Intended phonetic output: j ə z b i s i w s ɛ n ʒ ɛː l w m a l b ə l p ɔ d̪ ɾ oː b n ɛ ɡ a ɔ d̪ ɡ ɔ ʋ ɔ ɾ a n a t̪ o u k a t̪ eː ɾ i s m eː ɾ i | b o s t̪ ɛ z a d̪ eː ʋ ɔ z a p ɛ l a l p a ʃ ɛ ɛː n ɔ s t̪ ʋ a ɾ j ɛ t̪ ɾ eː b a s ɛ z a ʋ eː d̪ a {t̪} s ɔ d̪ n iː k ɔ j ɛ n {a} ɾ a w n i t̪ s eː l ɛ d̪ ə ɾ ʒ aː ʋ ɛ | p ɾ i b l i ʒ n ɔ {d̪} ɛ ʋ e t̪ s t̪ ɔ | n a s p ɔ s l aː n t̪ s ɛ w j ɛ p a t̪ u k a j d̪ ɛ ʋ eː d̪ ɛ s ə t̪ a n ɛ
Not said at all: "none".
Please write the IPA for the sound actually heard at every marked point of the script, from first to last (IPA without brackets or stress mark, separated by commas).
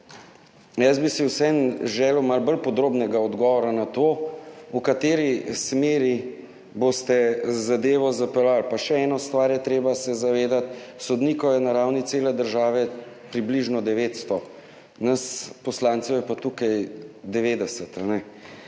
t̪, a, d̪